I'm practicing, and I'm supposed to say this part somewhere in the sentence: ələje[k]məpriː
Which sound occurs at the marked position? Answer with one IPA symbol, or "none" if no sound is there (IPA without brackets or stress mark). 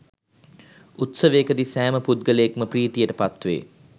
k